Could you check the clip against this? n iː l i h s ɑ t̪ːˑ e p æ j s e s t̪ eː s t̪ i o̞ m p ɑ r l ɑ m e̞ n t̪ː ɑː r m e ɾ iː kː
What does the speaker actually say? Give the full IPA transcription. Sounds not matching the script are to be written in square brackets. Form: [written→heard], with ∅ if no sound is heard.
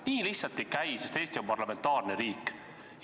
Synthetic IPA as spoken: n iː l i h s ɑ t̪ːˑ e [p→k] æ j s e s t̪ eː s t̪ i o̞ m p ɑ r l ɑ m e̞ n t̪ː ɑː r [m→n] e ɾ iː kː